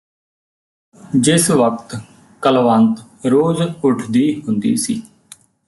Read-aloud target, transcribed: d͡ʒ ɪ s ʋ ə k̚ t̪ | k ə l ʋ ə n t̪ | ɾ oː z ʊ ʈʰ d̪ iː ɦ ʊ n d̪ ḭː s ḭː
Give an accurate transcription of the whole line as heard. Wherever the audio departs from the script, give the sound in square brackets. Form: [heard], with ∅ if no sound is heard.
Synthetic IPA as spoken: d͡ʒ ɪ s ʋ ə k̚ t̪ | k ə l ʋ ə n t̪ | ɾ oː z ʊ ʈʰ d̪ iː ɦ ʊ n d̪ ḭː s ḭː

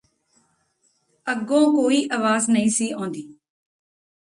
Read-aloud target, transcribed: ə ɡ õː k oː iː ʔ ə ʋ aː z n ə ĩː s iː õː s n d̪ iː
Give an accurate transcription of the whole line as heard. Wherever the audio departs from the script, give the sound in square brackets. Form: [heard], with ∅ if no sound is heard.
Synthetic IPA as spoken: ə ɡ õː k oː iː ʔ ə ʋ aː z n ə ĩː s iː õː [∅] n d̪ iː

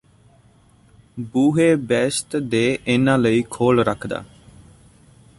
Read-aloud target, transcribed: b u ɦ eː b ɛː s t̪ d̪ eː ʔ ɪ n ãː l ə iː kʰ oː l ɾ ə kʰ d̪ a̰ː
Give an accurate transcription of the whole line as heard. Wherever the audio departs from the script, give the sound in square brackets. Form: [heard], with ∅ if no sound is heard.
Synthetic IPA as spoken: b [uː] ɦ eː b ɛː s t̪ d̪ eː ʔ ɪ n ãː l ə iː kʰ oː l ɾ ə kʰ d̪ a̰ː

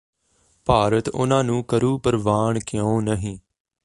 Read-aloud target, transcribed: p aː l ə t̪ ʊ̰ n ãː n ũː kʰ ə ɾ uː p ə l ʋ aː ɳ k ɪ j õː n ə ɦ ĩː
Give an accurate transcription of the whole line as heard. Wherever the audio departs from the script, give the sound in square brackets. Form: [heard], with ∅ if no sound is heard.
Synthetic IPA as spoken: p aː [ɾ] ə t̪ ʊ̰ n ãː n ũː [k] ə ɾ uː p ə [ɾ] ʋ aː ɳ k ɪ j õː n ə ɦ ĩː

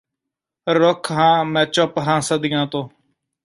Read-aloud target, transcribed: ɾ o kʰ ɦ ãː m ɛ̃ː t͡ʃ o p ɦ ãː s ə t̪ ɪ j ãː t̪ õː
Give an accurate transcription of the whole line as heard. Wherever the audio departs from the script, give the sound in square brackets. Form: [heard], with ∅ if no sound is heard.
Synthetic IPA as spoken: ɾ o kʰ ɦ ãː m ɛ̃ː t͡ʃ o p ɦ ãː s ə [d̪] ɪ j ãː t̪ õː

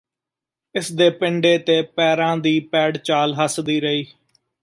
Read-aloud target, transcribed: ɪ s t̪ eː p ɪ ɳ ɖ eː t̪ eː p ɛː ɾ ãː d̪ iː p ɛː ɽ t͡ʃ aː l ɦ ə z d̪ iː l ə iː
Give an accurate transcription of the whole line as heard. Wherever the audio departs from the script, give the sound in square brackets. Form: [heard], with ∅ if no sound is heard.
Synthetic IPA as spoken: ɪ s [d̪] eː p ɪ ɳ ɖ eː t̪ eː p ɛː ɾ ãː d̪ iː p ɛː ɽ t͡ʃ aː l ɦ ə [s] d̪ iː [ɾ] ə iː

